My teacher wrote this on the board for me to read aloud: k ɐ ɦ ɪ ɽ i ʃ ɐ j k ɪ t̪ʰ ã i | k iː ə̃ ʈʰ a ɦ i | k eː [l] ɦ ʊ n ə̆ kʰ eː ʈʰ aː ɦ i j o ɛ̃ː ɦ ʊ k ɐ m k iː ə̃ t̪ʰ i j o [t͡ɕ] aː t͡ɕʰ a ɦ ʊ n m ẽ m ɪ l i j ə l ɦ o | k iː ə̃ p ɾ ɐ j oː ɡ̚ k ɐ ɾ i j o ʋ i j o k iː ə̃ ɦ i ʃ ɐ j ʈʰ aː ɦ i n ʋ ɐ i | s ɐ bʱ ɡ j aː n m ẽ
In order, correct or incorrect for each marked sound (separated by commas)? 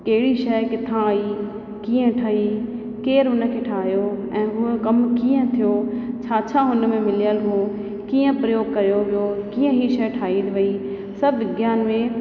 incorrect, incorrect